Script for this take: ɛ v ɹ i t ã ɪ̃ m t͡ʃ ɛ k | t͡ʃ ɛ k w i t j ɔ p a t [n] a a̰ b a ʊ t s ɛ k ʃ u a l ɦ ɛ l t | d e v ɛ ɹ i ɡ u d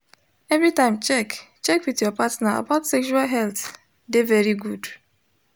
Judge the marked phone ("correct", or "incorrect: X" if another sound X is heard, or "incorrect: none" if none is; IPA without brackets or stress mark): correct